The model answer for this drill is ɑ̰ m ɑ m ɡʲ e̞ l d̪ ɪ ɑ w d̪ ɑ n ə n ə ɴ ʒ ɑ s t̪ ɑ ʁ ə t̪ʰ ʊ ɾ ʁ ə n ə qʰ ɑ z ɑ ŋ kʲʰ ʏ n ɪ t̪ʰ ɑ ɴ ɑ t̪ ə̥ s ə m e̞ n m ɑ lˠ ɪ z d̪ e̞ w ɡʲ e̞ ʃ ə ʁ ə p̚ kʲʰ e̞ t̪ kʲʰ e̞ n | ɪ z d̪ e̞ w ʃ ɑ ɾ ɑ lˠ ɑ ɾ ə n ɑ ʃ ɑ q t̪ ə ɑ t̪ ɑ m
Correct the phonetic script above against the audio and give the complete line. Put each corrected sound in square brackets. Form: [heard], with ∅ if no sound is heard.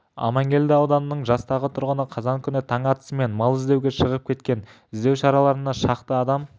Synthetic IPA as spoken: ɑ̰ m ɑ [ŋ] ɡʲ e̞ l d̪ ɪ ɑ w d̪ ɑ n ə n ə ɴ ʒ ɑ s t̪ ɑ ʁ ə t̪ʰ ʊ ɾ ʁ ə n ə qʰ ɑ z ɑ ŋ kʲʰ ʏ n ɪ t̪ʰ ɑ ɴ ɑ t̪ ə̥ s ə m e̞ n m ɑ lˠ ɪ z d̪ e̞ w ɡʲ e̞ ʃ ə ʁ ə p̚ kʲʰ e̞ t̪ [kʲ] e̞ n | ɪ z d̪ e̞ w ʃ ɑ ɾ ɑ lˠ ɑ ɾ ə n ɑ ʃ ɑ q t̪ ə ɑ [d̪] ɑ m

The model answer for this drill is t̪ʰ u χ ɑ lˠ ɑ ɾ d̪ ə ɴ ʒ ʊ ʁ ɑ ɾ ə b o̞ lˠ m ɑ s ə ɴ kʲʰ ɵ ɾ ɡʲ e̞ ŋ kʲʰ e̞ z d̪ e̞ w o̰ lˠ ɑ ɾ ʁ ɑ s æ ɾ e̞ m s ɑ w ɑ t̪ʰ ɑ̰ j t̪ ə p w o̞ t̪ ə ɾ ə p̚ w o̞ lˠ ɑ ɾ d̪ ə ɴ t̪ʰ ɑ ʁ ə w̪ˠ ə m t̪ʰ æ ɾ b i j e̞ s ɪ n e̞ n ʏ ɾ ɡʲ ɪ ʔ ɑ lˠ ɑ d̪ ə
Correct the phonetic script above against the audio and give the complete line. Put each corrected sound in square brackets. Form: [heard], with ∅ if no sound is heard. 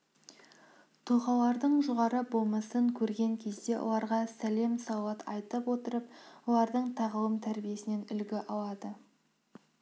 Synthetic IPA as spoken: t̪ʰ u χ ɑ lˠ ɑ ɾ d̪ ə ɴ ʒ ʊ ʁ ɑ ɾ ə b o̞ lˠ m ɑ s ə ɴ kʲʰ ɵ ɾ ɡʲ e̞ ŋ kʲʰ e̞ z d̪ e̞ w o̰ lˠ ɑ ɾ ʁ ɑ s æ [l] e̞ m s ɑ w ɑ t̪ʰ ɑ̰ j t̪ ə p w o̞ t̪ ə ɾ ə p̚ w o̞ lˠ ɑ ɾ d̪ ə ɴ t̪ʰ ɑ ʁ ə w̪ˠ ə m t̪ʰ æ ɾ b i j e̞ s ɪ n e̞ n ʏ [l] ɡʲ ɪ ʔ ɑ lˠ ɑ d̪ ə

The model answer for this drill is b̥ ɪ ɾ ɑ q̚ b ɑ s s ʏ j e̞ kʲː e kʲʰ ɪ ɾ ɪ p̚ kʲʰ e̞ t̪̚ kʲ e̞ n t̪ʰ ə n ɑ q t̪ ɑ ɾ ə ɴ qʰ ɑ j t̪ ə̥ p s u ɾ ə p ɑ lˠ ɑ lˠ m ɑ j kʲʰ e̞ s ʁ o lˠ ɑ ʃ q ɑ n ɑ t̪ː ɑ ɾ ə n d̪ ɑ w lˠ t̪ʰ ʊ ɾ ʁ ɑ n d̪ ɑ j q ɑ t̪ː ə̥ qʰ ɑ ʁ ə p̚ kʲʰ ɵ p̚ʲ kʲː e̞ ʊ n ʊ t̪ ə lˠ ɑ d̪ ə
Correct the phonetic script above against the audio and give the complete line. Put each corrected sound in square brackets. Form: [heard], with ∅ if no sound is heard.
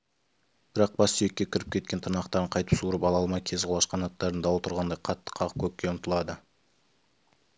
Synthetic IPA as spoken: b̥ ɪ ɾ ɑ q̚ b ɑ s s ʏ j e̞ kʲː e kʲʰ ɪ ɾ ɪ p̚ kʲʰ e̞ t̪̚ kʲ e̞ n t̪ʰ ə n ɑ q t̪ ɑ ɾ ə ɴ qʰ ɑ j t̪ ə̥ p s u ɾ ə p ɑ lˠ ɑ lˠ m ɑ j kʲʰ e̞ [z] ʁ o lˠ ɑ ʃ q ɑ n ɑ t̪ː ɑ ɾ ə n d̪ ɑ w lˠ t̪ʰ ʊ ɾ ʁ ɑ n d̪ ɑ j [qʰ] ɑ t̪ː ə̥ qʰ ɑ ʁ ə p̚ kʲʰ ɵ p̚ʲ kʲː e̞ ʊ n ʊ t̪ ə lˠ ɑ d̪ ə

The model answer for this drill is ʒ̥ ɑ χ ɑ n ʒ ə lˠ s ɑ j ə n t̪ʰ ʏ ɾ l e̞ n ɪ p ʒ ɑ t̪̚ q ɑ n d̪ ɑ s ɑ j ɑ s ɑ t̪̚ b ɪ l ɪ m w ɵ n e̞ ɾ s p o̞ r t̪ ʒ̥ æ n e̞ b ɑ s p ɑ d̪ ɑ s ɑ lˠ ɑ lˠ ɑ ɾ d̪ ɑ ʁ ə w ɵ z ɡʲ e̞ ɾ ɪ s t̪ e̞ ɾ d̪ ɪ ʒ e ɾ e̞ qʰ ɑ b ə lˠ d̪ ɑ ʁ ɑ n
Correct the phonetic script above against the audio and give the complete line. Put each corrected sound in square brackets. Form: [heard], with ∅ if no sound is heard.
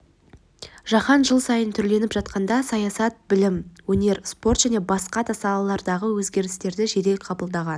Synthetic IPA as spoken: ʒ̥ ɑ χ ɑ n ʒ ə lˠ s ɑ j ə n t̪ʰ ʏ ɾ l e̞ n ɪ p ʒ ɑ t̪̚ q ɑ n d̪ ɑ s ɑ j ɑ s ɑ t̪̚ b ɪ l ɪ m w ɵ n e̞ ɾ s p o̞ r t̪ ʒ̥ æ n e̞ b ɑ s [q] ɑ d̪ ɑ s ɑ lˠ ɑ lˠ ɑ ɾ d̪ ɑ ʁ ə w ɵ z ɡʲ e̞ ɾ ɪ s t̪ e̞ ɾ d̪ ɪ ʒ e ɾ e̞ qʰ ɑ b ə lˠ d̪ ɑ ʁ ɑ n

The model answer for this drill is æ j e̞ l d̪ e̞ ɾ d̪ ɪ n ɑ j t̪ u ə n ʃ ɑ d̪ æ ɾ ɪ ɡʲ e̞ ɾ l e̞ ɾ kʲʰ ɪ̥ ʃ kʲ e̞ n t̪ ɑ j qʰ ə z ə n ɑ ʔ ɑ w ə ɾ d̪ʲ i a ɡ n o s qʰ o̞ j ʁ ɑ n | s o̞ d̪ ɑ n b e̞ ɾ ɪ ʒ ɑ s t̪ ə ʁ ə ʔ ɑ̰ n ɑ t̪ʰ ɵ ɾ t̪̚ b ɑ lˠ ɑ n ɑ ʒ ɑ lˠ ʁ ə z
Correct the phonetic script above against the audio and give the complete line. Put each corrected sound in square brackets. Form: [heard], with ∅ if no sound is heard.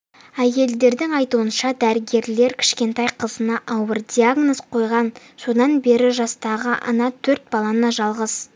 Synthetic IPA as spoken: æ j e̞ l d̪ e̞ ɾ d̪ ɪ [ŋ] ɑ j t̪ u ə n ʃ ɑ d̪ æ ɾ ɪ ɡʲ e̞ ɾ l e̞ ɾ kʲʰ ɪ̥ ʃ kʲ e̞ n t̪ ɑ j qʰ ə z ə n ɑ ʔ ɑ w ə ɾ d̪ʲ i a ɡ n o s qʰ o̞ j ʁ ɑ n | s o̞ d̪ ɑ n b e̞ ɾ ɪ ʒ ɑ s t̪ [ɑ] ʁ ə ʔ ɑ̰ n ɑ t̪ʰ ɵ ɾ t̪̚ b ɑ lˠ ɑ n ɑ ʒ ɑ lˠ ʁ ə z

